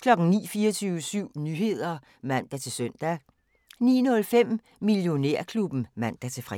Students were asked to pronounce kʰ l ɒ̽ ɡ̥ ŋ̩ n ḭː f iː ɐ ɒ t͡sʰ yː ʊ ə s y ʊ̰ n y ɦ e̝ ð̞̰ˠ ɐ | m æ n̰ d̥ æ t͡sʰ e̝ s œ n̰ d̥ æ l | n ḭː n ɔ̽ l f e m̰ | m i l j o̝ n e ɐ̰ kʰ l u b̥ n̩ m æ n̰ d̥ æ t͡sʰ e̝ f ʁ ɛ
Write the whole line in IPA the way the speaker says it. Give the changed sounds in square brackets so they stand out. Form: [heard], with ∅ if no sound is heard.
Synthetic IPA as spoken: kʰ l ɒ̽ ɡ̥ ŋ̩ n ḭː f iː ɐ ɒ t͡sʰ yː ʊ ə s y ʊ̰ n y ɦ e̝ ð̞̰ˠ ɐ | m æ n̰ d̥ æ t͡sʰ e̝ s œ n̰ d̥ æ [∅] | n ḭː n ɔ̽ l f e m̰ | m i l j o̝ n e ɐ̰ kʰ l u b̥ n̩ m æ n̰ d̥ æ t͡sʰ e̝ f ʁ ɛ